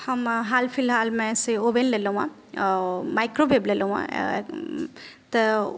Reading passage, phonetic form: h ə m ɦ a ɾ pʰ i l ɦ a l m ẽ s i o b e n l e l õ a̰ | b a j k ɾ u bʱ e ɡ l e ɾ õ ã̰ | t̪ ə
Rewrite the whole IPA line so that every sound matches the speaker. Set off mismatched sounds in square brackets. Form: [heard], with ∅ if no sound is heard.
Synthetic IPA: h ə m ɦ a [l] pʰ i l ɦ a l m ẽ s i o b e n l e l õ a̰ | [m] a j k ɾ [o] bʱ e [b] l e [l] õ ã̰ | t̪ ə